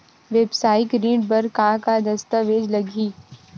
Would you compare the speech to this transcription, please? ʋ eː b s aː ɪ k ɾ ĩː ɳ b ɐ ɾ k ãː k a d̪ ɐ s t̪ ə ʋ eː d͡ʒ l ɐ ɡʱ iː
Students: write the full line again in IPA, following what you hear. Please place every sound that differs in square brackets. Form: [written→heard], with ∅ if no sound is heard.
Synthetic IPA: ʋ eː b s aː ɪ k ɾ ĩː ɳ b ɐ ɾ k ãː k a d̪ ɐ s t̪ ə ʋ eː d͡ʒ l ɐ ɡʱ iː

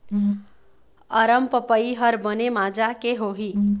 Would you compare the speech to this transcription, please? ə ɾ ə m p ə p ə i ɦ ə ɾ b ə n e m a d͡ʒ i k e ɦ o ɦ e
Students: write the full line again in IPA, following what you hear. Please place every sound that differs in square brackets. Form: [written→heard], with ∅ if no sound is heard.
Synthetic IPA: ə ɾ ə m p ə p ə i ɦ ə ɾ b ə n e m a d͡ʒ [i→a] k e ɦ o ɦ [e→i]

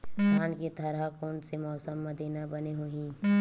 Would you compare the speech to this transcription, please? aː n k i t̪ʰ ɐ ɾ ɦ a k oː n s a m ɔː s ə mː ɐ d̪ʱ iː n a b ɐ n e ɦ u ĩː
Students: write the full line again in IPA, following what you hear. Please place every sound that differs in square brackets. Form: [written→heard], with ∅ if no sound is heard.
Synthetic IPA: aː n k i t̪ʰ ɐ ɾ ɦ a k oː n s [a→e] m ɔː s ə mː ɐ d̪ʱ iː n a b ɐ n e ɦ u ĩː

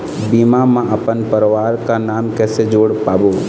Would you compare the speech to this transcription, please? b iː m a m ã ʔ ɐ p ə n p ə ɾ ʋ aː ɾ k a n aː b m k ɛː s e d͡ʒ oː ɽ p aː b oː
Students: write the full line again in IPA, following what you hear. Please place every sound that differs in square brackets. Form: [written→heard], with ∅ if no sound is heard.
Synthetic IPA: b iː m a m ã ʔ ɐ p ə n p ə ɾ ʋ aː ɾ k a n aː [b→∅] m k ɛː s e d͡ʒ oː ɽ p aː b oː

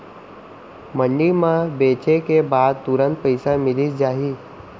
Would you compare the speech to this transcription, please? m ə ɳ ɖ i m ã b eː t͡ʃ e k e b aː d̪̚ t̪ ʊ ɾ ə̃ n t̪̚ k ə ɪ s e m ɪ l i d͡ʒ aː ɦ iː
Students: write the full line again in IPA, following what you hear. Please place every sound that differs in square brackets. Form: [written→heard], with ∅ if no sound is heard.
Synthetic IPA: m ə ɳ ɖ i m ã b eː t͡ʃ e k e b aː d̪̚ t̪ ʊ ɾ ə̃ n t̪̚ [k→p] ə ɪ s [e→a] m ɪ l i d͡ʒ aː ɦ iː

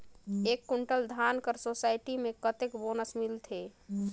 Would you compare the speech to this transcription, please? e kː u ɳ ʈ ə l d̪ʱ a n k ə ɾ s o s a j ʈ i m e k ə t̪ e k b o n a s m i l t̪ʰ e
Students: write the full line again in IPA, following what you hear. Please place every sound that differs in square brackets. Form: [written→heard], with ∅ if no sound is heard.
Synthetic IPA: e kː u ɳ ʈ ə l d̪ʱ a n k ə ɾ s o s a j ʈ i m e k ə t̪ e k b o n [a→ə] s m i l t̪ʰ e

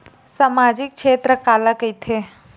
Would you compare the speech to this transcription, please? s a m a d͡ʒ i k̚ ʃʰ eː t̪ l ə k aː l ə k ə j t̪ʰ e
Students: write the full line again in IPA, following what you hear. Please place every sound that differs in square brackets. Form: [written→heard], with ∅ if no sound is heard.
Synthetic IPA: s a m a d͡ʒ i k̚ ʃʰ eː t̪ [l→ɾ] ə k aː l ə k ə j t̪ʰ e

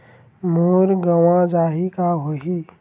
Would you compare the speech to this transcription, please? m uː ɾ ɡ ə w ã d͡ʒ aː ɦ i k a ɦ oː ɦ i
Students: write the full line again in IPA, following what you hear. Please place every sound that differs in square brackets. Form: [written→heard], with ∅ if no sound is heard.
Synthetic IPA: m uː ɾ ɡ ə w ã d͡ʒ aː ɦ i k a ɦ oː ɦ i

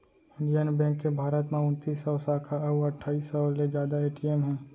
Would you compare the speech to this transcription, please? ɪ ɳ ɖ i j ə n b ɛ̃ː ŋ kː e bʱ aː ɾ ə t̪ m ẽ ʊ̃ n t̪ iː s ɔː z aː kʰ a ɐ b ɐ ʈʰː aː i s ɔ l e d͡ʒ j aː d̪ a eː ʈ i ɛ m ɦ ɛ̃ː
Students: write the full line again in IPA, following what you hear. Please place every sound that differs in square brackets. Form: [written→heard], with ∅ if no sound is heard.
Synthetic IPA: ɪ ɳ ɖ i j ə n b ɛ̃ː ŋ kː e bʱ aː ɾ ə t̪ m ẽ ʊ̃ n t̪ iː s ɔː [z→s] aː kʰ a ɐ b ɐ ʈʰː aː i s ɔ l e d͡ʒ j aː d̪ a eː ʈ i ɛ m ɦ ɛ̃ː

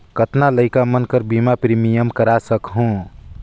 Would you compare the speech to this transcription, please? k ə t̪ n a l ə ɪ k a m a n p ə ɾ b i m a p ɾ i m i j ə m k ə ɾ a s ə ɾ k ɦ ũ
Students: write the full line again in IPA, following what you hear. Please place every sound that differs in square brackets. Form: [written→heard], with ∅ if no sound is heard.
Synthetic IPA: k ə t̪ n a l ə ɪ k a m [a→ə] n [p→k] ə ɾ b i m a p ɾ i m i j ə m k ə ɾ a s ə [ɾ→∅] k ɦ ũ

